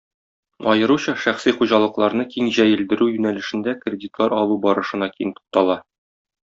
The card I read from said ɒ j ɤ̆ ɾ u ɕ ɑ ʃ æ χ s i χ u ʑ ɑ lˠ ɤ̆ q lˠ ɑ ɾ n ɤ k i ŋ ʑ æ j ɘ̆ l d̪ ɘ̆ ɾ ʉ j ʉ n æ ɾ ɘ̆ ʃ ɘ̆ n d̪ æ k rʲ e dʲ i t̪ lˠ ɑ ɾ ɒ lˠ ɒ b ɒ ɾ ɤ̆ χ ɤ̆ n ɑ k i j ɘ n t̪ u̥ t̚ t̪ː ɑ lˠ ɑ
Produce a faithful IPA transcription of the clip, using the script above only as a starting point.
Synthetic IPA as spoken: ɒ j ɤ̆ ɾ u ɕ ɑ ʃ æ χ s i χ u ʑ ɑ lˠ ɤ̆ q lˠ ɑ ɾ n ɤ k i ŋ ʑ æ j ɘ̆ l d̪ ɘ̆ ɾ ʉ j ʉ n æ l ɘ̆ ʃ ɘ̆ n d̪ æ k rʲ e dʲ i t̪ lˠ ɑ ɾ ɒ lˠ u b ɒ ɾ ɤ̆ ʃ ɤ̆ n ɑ k i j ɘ n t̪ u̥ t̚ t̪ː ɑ lˠ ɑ